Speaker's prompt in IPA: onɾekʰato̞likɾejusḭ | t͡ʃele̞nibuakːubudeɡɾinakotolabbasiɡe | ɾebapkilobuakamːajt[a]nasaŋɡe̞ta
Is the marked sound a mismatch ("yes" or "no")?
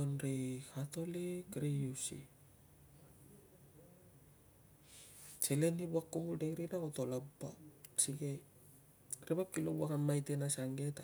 yes